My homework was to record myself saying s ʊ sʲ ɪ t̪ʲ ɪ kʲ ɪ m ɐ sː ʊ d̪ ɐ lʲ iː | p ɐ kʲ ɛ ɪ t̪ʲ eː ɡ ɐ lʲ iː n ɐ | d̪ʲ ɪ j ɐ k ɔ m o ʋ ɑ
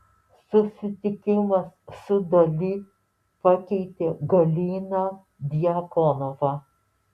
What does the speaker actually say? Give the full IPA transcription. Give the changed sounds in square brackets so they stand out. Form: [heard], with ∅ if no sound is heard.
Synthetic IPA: s ʊ sʲ ɪ t̪ʲ ɪ kʲ ɪ m ɐ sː ʊ d̪ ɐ lʲ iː | p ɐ kʲ ɛ ɪ t̪ʲ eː ɡ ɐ lʲ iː n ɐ | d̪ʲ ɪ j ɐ k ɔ [n] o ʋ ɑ